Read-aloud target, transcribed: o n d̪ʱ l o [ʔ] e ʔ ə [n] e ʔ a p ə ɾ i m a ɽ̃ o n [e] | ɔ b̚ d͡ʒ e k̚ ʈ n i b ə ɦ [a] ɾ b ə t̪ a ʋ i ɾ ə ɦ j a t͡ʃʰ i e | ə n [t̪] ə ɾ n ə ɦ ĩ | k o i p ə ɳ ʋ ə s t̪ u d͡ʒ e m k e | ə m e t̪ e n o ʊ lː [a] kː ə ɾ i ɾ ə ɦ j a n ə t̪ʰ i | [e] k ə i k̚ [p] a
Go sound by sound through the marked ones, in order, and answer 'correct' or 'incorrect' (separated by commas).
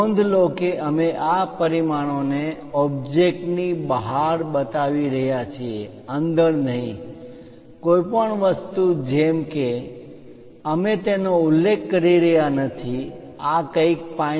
incorrect, incorrect, correct, correct, incorrect, incorrect, incorrect, correct